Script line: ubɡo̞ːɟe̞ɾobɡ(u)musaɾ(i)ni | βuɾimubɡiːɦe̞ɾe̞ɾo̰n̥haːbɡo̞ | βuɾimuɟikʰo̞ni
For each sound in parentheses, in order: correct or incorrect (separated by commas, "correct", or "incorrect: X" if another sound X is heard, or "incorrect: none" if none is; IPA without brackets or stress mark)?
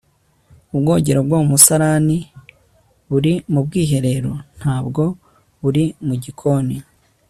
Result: incorrect: o, incorrect: a